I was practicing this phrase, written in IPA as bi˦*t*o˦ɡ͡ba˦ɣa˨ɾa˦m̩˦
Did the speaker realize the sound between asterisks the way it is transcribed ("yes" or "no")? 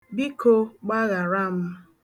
no